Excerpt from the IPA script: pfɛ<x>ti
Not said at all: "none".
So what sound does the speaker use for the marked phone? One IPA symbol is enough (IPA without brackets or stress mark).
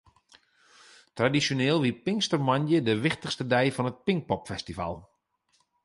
s